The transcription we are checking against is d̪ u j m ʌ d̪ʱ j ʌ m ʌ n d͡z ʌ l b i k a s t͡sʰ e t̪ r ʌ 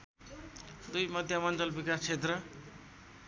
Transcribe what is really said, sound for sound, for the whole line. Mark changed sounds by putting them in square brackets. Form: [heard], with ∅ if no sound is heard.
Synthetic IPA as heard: d̪ u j m ʌ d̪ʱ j [a] m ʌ n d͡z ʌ l b i k a s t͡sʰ e t̪ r ʌ